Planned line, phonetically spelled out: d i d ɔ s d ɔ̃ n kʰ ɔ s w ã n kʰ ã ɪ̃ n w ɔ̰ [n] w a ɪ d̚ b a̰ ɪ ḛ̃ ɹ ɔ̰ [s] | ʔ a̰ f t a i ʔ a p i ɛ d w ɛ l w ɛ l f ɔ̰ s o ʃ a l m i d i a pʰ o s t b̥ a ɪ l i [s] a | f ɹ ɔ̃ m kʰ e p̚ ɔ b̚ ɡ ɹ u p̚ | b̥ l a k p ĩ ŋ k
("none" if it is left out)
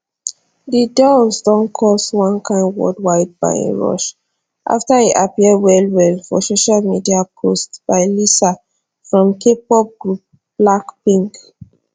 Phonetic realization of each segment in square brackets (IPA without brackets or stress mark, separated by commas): d, ʃ, s